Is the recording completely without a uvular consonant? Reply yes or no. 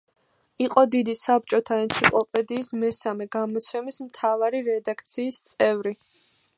no